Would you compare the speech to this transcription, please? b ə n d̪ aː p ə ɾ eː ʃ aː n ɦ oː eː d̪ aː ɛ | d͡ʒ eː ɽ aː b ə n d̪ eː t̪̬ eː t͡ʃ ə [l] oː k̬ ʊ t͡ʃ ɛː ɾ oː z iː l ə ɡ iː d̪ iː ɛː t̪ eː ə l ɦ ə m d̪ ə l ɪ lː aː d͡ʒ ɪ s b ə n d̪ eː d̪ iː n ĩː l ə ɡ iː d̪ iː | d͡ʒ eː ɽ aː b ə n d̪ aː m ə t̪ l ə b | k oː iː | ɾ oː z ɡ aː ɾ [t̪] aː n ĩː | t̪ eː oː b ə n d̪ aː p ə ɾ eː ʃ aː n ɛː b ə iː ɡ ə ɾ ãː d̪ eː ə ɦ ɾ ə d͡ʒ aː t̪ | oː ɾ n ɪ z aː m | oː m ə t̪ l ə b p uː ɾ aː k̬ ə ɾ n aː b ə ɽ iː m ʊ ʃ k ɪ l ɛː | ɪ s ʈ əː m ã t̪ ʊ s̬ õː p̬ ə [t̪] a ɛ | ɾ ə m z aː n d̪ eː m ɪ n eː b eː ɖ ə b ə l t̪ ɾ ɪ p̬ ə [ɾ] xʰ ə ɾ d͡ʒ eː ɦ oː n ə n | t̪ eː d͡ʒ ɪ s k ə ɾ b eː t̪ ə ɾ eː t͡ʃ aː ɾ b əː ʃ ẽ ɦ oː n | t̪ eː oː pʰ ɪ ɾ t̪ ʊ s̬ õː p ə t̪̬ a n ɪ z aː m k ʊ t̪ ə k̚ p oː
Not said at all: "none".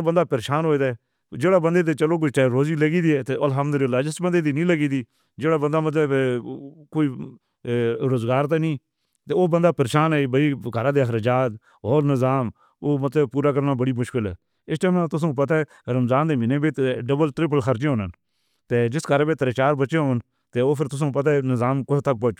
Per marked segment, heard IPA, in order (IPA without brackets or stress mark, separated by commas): l, t̪, t̪, l